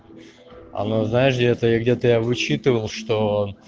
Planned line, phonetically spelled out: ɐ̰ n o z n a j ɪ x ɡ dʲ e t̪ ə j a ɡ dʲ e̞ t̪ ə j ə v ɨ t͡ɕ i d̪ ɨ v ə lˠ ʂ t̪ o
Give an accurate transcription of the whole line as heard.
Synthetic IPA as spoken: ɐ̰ n o z n a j ɪ ʂ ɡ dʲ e t̪ ə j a ɡ dʲ e̞ t̪ ə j a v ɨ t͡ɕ i t̪ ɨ v ə lˠ ʂ t̪ o